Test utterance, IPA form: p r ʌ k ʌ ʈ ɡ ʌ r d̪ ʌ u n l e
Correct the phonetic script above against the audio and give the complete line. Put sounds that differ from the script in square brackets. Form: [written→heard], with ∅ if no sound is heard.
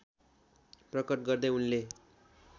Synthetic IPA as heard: p r ʌ k ʌ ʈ ɡ ʌ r d̪ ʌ u n l e